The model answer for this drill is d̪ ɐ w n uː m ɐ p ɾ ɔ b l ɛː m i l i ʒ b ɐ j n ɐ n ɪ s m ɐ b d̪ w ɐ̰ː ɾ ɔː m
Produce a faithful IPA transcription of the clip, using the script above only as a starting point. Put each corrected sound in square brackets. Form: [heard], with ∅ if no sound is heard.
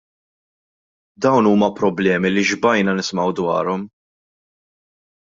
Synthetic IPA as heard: d̪ ɐ w n uː m ɐ p ɾ ɔ b l ɛː m i l i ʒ b ɐ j n ɐ n ɪ s m ɐ [w] d̪ w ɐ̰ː ɾ [ɔ] m